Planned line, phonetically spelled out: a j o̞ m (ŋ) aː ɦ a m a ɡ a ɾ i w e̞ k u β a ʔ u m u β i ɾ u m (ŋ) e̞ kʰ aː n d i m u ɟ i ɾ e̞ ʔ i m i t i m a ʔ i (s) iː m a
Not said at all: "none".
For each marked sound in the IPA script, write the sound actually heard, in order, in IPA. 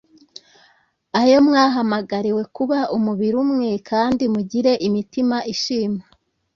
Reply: ŋ, ŋ, ʃ

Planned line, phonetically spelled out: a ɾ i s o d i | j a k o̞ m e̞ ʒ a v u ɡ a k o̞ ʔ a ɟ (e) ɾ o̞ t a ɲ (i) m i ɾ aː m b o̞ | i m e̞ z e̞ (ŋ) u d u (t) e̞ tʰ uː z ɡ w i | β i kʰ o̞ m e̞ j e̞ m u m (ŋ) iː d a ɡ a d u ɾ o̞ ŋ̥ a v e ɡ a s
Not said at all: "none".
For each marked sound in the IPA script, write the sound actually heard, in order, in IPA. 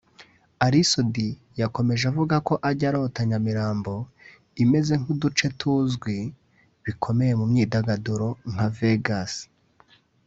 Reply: a, a, ŋ, t͡ʃ, ɲ

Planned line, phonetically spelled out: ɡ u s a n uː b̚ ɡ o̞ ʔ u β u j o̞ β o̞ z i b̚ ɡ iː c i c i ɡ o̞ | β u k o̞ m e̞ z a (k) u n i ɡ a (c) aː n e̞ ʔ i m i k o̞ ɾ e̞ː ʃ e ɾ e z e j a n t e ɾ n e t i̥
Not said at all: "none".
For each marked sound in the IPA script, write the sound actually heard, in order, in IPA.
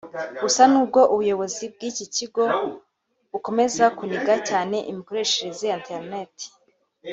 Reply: k, c

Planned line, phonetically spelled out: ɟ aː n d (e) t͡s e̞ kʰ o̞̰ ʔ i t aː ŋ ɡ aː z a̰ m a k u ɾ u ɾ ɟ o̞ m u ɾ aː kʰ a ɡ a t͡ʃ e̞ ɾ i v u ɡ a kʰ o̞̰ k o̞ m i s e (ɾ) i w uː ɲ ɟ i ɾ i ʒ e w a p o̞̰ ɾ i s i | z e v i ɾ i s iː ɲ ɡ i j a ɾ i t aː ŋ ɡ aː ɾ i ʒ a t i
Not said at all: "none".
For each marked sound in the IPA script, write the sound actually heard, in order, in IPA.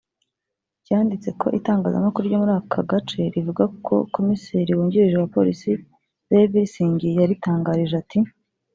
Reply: i, ɾ

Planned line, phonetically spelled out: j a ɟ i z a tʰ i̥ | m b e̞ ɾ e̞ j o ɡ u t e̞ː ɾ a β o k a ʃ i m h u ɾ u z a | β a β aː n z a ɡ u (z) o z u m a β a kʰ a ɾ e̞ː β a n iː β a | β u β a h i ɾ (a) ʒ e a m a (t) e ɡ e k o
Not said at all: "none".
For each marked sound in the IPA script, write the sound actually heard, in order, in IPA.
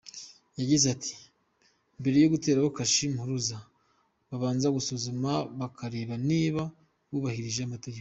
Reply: s, i, t

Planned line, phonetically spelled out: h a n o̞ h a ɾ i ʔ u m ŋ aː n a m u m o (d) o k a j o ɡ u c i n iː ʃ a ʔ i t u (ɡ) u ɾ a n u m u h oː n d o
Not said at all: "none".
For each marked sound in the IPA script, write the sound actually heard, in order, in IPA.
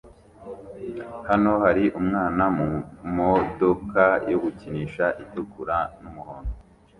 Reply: d, k

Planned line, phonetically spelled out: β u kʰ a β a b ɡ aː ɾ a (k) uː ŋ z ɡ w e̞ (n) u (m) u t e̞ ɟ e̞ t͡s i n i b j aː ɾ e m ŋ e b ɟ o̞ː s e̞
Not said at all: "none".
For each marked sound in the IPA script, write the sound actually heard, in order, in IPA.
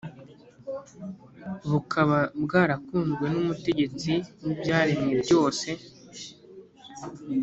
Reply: k, n, m

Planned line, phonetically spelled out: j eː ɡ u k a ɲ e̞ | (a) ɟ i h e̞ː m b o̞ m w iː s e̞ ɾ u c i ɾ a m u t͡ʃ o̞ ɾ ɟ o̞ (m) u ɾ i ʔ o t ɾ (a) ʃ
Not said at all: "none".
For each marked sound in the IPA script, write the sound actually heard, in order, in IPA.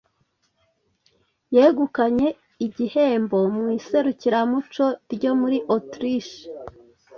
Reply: i, m, i

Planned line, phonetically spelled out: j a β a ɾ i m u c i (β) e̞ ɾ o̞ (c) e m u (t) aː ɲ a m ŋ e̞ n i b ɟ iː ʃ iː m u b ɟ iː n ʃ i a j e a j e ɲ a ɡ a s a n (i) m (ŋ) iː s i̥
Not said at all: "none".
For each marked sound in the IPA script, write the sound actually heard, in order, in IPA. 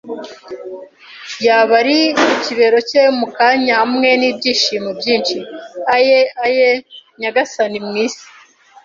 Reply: β, c, k, i, ŋ

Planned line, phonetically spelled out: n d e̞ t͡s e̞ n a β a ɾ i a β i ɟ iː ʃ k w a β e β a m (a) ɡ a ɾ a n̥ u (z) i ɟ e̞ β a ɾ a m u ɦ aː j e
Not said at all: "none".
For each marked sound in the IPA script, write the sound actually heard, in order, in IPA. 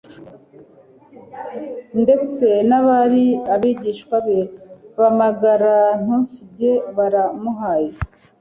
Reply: a, s

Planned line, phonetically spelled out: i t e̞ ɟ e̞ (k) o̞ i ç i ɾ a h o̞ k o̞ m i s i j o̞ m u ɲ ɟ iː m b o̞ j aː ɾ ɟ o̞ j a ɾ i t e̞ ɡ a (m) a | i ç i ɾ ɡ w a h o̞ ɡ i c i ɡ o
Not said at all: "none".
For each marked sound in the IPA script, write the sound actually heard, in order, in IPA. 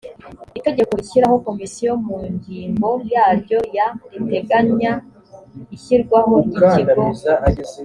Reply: k, ɲ

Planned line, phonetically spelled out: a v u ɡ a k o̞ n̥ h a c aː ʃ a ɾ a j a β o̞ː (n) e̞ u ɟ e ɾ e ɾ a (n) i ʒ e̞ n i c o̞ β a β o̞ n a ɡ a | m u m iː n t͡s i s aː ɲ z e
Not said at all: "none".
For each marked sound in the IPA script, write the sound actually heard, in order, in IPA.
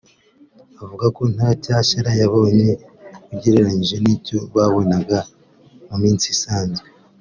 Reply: ɲ, ɲ

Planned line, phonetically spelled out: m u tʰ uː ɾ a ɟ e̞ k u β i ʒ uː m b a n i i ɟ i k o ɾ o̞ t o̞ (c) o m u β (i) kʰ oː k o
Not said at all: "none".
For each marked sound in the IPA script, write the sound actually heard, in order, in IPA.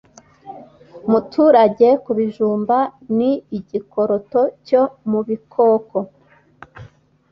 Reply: c, i

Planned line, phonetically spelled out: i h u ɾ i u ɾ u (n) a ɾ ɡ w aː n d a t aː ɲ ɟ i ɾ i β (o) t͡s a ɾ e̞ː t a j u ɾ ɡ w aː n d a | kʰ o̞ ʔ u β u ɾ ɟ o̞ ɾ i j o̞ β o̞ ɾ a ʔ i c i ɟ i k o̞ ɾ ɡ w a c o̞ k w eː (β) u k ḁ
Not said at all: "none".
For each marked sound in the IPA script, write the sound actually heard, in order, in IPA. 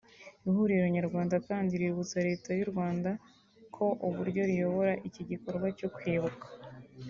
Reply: ɲ, u, β

